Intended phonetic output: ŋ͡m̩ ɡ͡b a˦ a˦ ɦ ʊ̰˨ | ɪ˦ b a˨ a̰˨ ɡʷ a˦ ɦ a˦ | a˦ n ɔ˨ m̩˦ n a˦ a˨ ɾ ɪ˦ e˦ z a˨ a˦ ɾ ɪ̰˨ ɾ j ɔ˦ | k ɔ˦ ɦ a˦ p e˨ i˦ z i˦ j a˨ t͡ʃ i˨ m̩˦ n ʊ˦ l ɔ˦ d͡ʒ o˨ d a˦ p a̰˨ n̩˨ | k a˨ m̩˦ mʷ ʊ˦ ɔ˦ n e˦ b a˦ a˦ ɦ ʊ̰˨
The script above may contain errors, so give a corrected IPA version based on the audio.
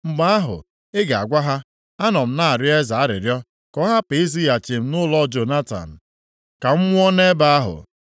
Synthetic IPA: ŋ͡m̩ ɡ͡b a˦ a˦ ɦ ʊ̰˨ | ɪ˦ ɡ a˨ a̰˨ ɡʷ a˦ ɦ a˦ | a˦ n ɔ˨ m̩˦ n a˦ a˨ ɾ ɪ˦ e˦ z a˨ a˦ ɾ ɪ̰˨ ɾ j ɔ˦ | k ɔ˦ ɦ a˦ p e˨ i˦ z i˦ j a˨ t͡ʃ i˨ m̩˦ n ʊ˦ l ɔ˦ d͡ʒ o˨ n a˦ t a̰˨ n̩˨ | k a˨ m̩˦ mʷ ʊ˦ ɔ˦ n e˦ b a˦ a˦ ɦ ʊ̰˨